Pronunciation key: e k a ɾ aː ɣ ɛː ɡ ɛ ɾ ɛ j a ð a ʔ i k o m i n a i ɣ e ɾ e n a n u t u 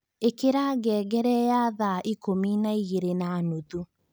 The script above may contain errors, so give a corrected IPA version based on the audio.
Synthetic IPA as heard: e k e ɾ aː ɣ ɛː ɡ ɛ ɾ ɛ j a ð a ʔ i k o m i n a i ɣ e ɾ e n a n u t u